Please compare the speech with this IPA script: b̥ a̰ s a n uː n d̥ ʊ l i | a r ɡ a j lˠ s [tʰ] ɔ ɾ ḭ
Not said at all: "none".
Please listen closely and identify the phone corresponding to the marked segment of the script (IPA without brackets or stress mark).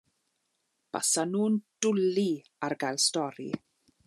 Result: t